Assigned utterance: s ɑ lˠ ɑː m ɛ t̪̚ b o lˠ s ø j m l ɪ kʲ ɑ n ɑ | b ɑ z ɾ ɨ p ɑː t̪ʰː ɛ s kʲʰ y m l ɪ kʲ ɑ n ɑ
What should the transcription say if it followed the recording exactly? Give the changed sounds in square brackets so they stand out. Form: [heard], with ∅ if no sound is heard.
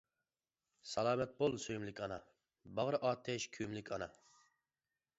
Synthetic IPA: s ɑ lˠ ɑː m ɛ t̪̚ b o lˠ s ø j m l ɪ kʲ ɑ n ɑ | b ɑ [ʁ] ɾ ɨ [ʔ] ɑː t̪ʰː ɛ [ʃ] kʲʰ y m l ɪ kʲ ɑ n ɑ